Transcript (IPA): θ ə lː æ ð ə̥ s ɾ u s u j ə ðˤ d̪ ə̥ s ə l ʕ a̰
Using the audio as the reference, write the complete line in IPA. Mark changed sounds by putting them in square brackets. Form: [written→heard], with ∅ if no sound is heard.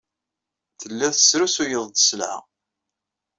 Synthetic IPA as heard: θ ə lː æ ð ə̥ s ɾ u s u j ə ðˤ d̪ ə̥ s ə l ʕ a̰

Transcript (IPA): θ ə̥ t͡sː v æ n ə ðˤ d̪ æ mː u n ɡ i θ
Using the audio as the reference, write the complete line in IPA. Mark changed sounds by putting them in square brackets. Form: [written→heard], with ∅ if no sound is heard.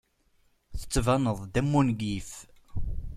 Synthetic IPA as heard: θ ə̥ t͡sː v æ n ə ðˤ d̪ æ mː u n ɡ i [θ→f]

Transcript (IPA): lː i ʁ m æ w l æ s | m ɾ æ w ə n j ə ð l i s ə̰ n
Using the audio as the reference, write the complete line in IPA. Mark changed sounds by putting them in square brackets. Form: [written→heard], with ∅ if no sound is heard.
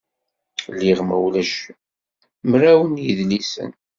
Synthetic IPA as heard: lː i ʁ m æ w l æ [s→ʃ] | m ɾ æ w ə n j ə ð l i s ə̰ n

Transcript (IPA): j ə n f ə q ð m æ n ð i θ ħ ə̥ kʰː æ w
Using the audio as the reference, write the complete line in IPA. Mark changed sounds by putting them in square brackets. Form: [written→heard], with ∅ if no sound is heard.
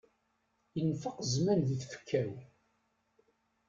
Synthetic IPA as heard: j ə n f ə q [ð→z] m æ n ð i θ [ħ→f] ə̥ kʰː æ w

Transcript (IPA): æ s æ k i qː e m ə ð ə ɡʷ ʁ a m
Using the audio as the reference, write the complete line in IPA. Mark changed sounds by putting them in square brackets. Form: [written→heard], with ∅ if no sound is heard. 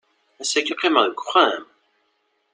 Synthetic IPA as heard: æ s æ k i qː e m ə ð ə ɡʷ [ʁ→χ] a m

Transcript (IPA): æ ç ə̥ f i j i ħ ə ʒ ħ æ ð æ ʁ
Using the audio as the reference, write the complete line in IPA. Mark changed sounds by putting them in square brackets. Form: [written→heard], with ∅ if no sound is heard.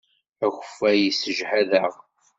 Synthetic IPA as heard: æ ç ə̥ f [i→æ] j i [ħ→s] ə ʒ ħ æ ð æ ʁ

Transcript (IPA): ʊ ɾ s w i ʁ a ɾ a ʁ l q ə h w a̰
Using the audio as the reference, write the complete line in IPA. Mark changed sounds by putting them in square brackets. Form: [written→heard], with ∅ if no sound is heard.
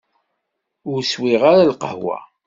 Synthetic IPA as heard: ʊ ɾ s w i ʁ a ɾ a [ʁ→∅] l q ə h w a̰

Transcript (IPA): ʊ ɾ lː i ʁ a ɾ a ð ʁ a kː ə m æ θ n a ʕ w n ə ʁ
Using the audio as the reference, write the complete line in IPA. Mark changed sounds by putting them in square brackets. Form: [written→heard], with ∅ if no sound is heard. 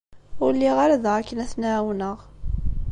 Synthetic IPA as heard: ʊ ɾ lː i ʁ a ɾ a ð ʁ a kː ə [m→n] æ θ n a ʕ w n ə ʁ

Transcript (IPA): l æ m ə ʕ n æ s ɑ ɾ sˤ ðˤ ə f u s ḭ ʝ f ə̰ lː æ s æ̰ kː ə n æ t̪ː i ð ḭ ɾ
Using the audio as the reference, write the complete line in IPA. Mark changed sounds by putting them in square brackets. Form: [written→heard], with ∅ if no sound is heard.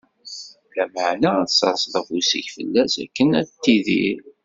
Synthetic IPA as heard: l æ m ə ʕ n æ s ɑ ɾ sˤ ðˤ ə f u s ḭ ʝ f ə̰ lː æ s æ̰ kː ə n æ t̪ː i ð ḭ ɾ

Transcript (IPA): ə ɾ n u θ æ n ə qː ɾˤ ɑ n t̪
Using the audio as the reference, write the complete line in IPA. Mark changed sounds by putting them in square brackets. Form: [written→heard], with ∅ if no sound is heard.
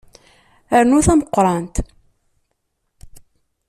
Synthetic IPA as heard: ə ɾ n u θ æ [n→m] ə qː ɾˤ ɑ n t̪

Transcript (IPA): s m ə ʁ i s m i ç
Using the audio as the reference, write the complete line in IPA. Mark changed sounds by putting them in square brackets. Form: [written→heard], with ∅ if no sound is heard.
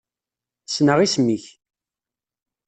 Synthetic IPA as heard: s [m→n] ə ʁ i s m i ç

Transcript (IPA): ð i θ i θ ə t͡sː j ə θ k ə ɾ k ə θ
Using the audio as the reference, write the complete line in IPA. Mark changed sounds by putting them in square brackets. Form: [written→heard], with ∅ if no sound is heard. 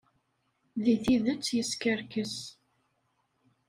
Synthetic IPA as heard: ð i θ i [θ→ð] ə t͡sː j ə [θ→s] k ə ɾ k ə [θ→s]

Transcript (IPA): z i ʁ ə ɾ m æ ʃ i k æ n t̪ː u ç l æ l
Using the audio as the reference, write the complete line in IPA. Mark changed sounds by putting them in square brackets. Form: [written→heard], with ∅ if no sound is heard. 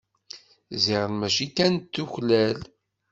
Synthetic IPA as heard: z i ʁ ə [ɾ→l] m æ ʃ i k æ n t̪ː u ç l æ l

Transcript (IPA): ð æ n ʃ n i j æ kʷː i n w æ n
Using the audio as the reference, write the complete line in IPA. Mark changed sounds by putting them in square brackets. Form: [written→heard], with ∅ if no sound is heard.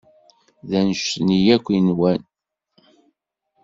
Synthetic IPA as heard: ð æ n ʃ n i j æ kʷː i n w æ n

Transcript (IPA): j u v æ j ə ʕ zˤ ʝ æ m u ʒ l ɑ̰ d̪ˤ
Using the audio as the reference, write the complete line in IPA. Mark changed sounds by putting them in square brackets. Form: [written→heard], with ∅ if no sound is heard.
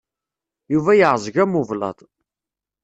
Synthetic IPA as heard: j u v æ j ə ʕ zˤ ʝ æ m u [ʒ→v] l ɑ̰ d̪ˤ

